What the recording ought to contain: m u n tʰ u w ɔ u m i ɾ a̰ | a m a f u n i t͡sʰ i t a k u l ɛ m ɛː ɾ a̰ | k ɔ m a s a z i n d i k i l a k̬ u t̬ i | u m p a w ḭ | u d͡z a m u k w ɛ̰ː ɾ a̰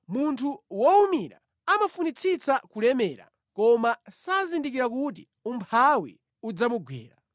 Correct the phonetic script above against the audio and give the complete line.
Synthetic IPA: m u n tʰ u w ɔ u m i ɾ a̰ | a m a f u n i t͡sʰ i t͡s a k u l ɛ m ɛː ɾ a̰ | k ɔ m a s a z i n d i k i ɾ a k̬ u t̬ i | u m pʰ a w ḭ | u d͡z a m u ɡ w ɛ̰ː ɾ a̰